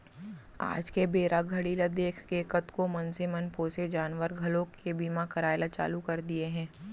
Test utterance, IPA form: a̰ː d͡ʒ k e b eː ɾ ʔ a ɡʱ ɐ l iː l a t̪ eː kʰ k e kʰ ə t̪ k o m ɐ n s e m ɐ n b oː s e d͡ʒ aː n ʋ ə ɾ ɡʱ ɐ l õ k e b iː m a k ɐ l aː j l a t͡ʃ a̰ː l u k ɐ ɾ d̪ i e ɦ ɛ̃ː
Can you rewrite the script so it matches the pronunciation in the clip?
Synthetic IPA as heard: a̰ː d͡ʒ k e b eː ɾ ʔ a ɡʱ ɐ ɽ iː l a d̪ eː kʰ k e k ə t̪ k o m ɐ n s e m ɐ n p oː s e d͡ʒ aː n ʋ ə ɾ ɡʱ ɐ l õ k e b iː m a k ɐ ɾ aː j l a t͡ʃ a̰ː l u k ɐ ɾ d̪ i e ɦ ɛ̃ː